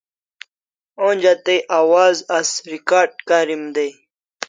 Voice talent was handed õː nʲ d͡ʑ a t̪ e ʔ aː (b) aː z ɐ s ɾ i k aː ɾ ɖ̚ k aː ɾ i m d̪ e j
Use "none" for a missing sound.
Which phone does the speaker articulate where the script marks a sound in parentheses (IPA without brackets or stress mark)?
w